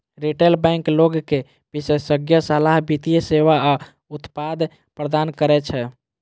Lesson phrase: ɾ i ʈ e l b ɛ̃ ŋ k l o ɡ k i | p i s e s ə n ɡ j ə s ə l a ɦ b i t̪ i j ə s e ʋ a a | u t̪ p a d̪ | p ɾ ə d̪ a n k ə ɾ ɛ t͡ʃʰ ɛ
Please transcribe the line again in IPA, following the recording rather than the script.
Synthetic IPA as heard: ɾ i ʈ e l b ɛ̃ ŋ k l o ɡ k e | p i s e s ə ɡ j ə s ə l a ɦ b i t̪ i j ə s e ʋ a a | u t̪ p a d̪ | p ɾ ə d̪ a n k ə ɾ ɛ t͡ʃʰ ɛ